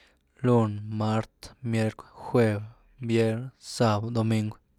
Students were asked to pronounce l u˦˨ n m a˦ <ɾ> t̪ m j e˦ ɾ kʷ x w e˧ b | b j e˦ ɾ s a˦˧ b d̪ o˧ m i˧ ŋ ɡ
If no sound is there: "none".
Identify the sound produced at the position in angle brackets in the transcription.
ɾ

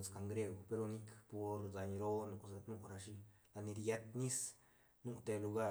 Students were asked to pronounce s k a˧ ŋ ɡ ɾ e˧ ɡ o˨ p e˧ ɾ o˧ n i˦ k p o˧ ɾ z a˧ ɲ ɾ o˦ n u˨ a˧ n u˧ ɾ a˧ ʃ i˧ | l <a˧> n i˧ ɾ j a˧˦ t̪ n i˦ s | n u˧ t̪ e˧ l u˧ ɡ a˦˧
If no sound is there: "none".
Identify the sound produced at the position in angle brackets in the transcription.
a˧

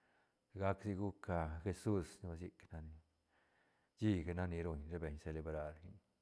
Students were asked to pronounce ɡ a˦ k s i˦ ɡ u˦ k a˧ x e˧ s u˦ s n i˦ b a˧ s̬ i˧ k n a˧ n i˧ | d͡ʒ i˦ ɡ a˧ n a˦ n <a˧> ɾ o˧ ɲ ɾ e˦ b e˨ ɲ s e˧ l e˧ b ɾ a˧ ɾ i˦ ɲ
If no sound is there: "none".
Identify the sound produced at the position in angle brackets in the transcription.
i˧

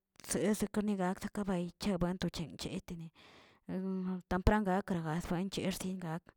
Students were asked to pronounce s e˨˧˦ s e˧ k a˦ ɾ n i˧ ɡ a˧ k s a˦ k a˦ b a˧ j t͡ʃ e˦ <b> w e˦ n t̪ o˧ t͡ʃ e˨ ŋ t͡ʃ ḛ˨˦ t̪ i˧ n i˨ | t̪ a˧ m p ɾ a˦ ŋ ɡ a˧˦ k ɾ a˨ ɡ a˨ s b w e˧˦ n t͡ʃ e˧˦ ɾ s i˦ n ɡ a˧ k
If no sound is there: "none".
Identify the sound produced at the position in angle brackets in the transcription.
b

